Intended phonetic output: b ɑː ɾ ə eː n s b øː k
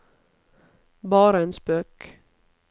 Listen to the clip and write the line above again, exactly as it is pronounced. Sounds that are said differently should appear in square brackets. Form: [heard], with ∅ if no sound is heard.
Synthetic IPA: b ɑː ɾ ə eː n s [p] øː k